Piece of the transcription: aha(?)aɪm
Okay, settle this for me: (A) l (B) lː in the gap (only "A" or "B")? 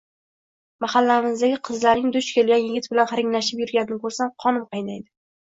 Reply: B